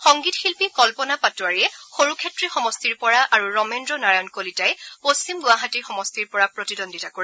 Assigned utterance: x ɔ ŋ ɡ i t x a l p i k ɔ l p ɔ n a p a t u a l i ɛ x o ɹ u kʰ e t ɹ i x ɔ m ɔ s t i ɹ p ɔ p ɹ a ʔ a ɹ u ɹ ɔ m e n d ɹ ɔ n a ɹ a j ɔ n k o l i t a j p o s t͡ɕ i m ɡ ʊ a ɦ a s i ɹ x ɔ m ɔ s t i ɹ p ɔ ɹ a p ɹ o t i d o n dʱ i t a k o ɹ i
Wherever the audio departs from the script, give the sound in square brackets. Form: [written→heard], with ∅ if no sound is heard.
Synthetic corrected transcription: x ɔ ŋ ɡ i t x [a→i] l p i k ɔ l p ɔ n a p a t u a [l→ɹ] i ɛ x o ɹ u kʰ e t ɹ i x ɔ m ɔ s t i ɹ p ɔ [p→∅] ɹ a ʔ a ɹ u ɹ ɔ m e n d ɹ ɔ n a ɹ a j ɔ n k o l i t a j p o s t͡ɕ i m ɡ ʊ a ɦ a [s→t] i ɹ x ɔ m ɔ s t i ɹ p ɔ ɹ a p ɹ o t i d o n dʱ i t a k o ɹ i

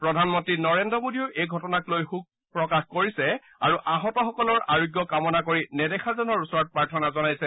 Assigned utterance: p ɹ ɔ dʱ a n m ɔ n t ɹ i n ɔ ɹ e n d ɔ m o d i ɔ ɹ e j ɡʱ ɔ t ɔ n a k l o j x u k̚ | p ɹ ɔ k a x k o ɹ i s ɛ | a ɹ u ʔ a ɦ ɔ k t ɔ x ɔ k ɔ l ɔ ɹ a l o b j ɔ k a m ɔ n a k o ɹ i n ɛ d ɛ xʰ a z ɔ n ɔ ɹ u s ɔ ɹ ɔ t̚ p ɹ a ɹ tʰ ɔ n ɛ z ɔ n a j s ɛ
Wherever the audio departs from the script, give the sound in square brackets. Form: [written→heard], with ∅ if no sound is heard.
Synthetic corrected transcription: p ɹ ɔ dʱ a n m ɔ n t ɹ i n ɔ ɹ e n d ɔ m o d i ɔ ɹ e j ɡʱ ɔ t ɔ n a k l o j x u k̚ | p ɹ ɔ k a x k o ɹ i s ɛ | a ɹ u ʔ a ɦ ɔ [k→∅] t ɔ x ɔ k ɔ l ɔ ɹ a [l→ɹ] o [b→ɡ] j ɔ k a m ɔ n a k o ɹ i n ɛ d ɛ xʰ a z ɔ n ɔ ɹ u s ɔ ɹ ɔ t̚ p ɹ a ɹ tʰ ɔ n [ɛ→a] z ɔ n a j s ɛ

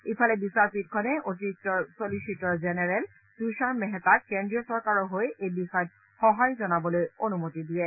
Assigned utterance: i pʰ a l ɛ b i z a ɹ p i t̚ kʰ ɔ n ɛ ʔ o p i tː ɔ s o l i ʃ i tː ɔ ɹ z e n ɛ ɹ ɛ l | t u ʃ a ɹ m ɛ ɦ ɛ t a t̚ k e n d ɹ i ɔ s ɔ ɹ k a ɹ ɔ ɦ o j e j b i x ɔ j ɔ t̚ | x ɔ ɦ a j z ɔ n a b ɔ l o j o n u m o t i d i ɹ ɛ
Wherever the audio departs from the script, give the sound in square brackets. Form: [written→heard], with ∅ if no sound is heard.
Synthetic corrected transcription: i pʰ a l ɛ b i [z→s] a ɹ p i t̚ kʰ ɔ n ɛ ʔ o [p→t] i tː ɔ s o l i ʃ i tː ɔ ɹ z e n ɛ ɹ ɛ l | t u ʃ a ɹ m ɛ ɦ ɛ t a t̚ k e n d ɹ i ɔ s ɔ ɹ k a ɹ ɔ ɦ o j e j b i x ɔ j ɔ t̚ | x ɔ ɦ a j z ɔ n a b ɔ l o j o n u m o t i d i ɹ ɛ

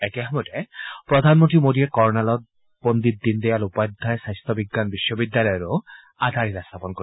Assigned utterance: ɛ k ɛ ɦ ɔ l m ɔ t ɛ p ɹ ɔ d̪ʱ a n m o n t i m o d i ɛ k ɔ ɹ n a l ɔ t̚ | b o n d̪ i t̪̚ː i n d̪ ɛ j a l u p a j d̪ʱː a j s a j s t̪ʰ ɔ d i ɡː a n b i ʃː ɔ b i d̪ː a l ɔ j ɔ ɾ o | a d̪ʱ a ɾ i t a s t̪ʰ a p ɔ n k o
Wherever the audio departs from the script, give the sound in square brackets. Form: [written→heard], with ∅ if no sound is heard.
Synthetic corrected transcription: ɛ k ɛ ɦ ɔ [l→∅] m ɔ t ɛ p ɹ ɔ d̪ʱ a n m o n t i m o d i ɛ k ɔ ɹ n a l ɔ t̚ | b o n d̪ i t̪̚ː i n d̪ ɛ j a l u p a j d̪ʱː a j s a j s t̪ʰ ɔ [d→b] i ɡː a n b i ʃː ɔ b i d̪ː a l ɔ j ɔ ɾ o | a d̪ʱ a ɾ i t a s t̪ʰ a p ɔ n k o

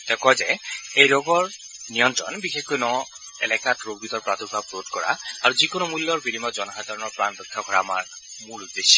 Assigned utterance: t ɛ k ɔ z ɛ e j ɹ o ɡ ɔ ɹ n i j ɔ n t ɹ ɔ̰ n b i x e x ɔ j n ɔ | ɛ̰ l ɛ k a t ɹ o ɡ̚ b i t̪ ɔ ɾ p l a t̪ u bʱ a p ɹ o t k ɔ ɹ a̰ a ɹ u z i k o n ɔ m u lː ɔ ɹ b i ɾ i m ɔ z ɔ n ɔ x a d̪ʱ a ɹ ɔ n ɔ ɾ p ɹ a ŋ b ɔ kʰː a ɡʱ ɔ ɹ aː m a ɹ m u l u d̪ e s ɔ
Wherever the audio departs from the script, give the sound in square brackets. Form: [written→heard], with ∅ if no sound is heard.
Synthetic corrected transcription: t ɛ k ɔ z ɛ e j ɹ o ɡ ɔ ɹ n i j ɔ n t ɹ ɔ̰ n b i x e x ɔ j n ɔ | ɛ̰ l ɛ k a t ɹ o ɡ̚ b i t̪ ɔ [ɾ→ɹ] p [l→ɹ] a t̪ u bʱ a p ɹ o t k ɔ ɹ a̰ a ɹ u z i k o n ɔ m u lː ɔ ɹ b i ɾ i m ɔ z ɔ n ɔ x a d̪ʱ a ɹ ɔ n ɔ [ɾ→ɹ] p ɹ a [ŋ→n] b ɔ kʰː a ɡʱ ɔ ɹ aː m a ɹ m u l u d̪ e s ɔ

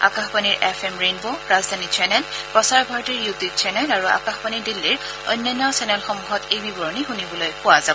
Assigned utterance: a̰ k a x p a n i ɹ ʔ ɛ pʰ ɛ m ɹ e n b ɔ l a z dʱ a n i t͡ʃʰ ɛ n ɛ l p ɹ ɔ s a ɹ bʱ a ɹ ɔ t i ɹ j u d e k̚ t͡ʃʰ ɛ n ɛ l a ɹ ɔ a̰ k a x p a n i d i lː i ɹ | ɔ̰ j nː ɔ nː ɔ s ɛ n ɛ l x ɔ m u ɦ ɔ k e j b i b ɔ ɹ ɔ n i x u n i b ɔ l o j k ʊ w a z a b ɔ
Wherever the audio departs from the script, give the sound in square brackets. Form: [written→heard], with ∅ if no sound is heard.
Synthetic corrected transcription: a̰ k a x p a n i ɹ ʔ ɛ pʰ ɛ m ɹ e n b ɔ [l→ɹ] a z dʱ a n i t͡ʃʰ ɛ n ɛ l p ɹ ɔ s a ɹ bʱ a ɹ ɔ t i ɹ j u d [e→i] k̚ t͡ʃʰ ɛ n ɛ l a ɹ [ɔ→u] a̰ k a x p a n i d i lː i ɹ | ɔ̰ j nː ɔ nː ɔ s ɛ n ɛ l x ɔ m u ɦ ɔ [k→t] e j b i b ɔ ɹ ɔ n i x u n i b ɔ l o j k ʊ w a z a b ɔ

